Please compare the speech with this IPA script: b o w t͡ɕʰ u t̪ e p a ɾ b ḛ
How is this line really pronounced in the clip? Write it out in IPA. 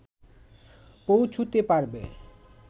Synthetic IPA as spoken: p o w t͡ɕʰ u t̪ e p a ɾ b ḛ